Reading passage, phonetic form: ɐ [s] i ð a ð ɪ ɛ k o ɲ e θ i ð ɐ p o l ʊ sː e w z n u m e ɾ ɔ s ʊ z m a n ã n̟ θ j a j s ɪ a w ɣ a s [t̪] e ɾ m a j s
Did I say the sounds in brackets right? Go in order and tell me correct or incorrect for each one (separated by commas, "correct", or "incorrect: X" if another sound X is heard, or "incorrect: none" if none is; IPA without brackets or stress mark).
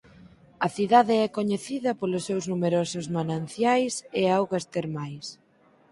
incorrect: θ, correct